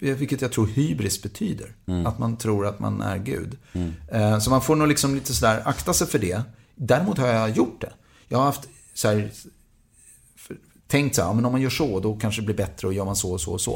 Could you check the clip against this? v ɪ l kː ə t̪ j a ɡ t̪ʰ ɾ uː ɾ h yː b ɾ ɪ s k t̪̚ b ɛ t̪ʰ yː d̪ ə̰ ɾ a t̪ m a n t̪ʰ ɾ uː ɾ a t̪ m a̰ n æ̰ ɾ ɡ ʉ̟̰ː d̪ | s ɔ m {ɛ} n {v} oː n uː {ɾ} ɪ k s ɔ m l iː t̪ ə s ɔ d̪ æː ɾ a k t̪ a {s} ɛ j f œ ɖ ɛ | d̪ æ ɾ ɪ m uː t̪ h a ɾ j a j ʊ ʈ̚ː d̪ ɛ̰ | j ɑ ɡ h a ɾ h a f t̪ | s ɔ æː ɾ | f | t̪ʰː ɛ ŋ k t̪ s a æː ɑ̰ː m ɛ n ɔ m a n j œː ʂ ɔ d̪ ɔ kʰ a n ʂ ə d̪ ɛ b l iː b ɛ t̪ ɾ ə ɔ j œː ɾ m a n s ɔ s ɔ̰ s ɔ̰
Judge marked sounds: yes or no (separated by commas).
no, no, no, yes